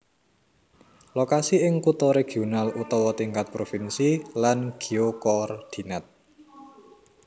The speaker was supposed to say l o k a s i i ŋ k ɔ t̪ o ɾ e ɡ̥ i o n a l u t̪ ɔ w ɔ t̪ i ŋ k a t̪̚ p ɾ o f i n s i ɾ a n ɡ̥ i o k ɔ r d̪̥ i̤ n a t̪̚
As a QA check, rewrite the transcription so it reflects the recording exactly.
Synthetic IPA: l o k a s i ɪ ŋ k u t̪ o ɾ e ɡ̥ i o n a l u t̪ ɔ w ɔ t̪ i ŋ k a t̪̚ p ɾ o f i n s i l a n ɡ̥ i o k ɔ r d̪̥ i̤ n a t̪̚